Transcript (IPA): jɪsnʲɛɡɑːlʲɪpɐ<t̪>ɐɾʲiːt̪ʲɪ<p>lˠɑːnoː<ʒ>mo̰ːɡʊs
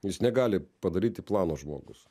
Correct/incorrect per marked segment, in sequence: incorrect, correct, correct

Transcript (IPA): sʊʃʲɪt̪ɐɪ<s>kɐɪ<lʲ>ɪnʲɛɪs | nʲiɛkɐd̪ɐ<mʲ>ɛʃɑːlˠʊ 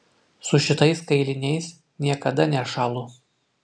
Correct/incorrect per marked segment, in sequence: correct, correct, incorrect

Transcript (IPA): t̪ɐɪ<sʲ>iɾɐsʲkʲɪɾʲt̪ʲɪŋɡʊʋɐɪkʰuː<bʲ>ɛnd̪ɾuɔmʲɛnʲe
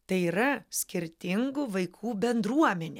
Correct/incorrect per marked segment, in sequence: incorrect, correct

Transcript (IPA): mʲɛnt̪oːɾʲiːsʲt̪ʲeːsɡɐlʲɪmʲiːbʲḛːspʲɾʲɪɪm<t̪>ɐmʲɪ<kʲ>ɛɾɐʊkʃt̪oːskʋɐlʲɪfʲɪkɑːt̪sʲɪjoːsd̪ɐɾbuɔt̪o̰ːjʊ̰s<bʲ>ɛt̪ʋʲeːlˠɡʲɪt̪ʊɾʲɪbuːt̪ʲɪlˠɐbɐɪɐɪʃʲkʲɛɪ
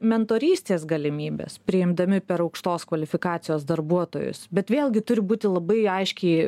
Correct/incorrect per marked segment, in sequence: incorrect, incorrect, correct

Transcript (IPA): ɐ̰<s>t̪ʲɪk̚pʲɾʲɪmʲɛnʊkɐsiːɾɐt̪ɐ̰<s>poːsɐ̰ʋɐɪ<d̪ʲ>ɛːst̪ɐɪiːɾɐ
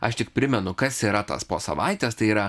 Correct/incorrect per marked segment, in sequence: incorrect, correct, incorrect

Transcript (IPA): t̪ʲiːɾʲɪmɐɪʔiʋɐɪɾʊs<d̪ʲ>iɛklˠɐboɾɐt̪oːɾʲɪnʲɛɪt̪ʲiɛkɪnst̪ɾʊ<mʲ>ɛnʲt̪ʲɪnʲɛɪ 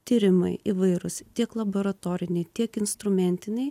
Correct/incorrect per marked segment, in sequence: incorrect, correct

